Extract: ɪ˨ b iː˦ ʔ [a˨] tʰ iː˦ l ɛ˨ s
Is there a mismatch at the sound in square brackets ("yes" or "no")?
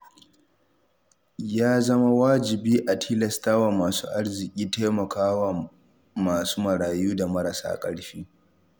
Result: no